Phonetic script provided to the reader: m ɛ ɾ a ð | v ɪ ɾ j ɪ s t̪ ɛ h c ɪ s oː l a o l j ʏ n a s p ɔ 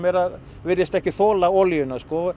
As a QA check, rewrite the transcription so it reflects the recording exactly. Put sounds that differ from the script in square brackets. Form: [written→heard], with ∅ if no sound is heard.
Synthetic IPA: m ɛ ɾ a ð | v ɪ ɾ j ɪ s t̪ ɛ h c ɪ [s→θ] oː l a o l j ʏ n a s [p→k] ɔ